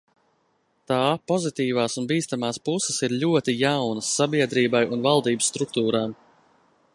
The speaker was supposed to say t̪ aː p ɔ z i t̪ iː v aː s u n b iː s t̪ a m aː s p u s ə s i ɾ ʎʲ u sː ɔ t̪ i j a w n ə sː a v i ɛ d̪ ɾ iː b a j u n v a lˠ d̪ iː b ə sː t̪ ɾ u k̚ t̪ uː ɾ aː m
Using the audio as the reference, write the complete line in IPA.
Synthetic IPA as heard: t̪ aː p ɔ z i t̪ iː v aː s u n b iː s t̪ a m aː s p u s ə s i ɾ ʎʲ u ɔ t̪ i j a w n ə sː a b i ɛ d̪ ɾ iː b a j u n v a lˠ d̪ iː b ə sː t̪ ɾ u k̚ t̪ uː ɾ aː m